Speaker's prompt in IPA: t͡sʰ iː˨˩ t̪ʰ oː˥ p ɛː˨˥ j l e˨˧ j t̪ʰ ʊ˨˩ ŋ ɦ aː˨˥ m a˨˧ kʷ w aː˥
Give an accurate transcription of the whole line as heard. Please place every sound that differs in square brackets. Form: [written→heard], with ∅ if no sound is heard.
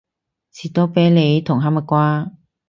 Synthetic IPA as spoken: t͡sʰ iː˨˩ [t̪ʰ→t̪] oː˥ p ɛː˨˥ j l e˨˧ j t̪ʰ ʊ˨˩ ŋ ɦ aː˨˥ m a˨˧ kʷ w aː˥

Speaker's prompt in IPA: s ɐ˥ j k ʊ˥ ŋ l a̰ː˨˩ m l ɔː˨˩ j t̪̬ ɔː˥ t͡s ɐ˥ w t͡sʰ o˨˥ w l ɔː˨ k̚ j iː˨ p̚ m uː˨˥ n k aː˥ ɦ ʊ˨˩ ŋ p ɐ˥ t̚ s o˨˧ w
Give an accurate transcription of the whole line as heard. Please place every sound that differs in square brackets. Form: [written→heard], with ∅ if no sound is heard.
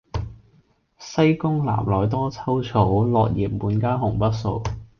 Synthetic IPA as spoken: s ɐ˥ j k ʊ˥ ŋ l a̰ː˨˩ m l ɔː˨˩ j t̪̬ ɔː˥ [t͡s→t͡sʰ] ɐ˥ w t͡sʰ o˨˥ w l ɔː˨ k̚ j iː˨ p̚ m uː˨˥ n k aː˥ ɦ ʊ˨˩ ŋ p ɐ˥ t̚ s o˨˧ w

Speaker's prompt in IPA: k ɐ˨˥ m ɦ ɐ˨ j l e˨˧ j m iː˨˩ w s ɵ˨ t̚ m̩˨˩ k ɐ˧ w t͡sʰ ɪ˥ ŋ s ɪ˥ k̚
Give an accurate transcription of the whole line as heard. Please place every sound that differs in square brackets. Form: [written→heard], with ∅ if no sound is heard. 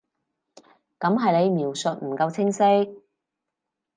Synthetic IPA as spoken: k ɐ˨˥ m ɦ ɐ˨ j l e˨˧ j m iː˨˩ w s ɵ˨ t̚ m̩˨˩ k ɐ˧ w t͡sʰ ɪ˥ ŋ s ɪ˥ k̚

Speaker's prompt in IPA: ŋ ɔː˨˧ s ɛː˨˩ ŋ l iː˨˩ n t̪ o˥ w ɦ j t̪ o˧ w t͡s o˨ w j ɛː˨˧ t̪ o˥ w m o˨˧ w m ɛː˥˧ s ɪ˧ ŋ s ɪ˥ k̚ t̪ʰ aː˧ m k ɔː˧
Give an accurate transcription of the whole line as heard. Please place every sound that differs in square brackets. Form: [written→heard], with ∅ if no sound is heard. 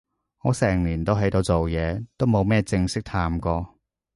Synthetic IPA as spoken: ŋ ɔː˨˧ s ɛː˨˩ ŋ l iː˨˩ n t̪ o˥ w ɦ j t̪ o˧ w t͡s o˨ w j ɛː˨˧ t̪ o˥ w m o˨˧ w m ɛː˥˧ [s→t͡s] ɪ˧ ŋ s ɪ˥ k̚ t̪ʰ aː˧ m k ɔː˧

